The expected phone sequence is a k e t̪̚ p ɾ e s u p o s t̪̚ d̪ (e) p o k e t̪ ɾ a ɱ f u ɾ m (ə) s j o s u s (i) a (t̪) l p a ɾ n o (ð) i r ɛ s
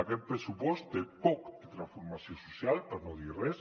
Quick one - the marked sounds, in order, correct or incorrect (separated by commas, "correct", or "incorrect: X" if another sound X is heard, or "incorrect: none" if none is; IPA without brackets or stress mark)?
correct, incorrect: a, incorrect: j, incorrect: none, correct